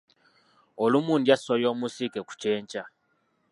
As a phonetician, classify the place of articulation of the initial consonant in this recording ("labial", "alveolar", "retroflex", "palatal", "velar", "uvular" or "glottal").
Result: alveolar